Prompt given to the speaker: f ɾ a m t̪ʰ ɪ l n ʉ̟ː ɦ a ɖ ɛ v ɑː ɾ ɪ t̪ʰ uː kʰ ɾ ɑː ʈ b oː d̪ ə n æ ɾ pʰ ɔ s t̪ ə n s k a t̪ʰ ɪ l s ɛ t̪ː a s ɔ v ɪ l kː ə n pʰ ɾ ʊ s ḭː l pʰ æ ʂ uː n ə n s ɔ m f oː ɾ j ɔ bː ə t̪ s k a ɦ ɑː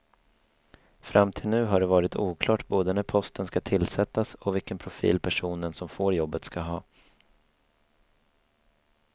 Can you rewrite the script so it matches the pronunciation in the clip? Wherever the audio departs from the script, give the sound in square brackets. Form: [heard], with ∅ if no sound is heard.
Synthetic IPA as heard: f ɾ a m t̪ʰ ɪ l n ʉ̟ː ɦ a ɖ ɛ v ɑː ɾ ɪ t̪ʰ uː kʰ [l] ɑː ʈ b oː d̪ ə n æ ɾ pʰ ɔ s t̪ ə n s k a t̪ʰ ɪ l s ɛ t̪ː a s ɔ v ɪ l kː ə n pʰ ɾ ʊ [f] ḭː l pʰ æ ʂ uː n ə n s ɔ m f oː ɾ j ɔ bː ə t̪ s k a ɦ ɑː